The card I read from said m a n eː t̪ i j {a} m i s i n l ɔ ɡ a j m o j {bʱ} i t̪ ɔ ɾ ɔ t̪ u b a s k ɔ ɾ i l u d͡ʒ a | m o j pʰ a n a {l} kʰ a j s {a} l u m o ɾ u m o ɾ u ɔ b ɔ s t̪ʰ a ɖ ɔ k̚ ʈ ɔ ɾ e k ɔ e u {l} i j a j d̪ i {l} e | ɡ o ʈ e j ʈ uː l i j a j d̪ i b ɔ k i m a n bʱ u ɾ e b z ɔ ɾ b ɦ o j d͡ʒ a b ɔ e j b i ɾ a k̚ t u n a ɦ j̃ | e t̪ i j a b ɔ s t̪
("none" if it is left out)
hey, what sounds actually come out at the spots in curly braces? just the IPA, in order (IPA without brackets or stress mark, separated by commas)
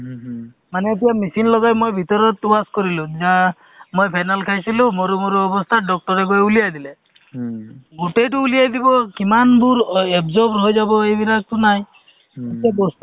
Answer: a, bʱ, l, i, l, l